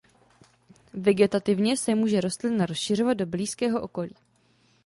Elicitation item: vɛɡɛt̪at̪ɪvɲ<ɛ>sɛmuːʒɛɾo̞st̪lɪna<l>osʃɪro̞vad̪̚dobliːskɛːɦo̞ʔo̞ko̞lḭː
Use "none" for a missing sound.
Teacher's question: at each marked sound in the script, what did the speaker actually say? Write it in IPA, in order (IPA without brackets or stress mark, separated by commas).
ɛ, ɾ